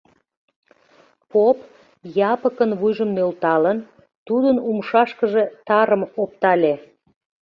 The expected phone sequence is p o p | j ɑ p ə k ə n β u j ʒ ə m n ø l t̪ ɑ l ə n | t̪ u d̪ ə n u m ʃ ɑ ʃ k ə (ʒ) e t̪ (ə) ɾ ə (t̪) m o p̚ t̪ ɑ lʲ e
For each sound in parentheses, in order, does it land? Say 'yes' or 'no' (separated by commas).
yes, no, no